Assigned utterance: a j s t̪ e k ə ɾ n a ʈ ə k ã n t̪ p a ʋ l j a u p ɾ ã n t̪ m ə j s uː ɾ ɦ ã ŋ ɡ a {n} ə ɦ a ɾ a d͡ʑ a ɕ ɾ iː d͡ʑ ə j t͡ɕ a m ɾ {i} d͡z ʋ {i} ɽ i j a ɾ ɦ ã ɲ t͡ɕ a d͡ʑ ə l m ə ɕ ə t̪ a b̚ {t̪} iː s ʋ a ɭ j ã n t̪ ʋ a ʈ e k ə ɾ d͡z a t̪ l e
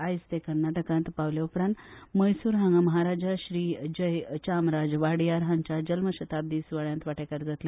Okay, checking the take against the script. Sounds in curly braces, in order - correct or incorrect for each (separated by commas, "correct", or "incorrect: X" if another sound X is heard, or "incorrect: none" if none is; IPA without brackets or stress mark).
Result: incorrect: m, incorrect: a, incorrect: a, incorrect: d̪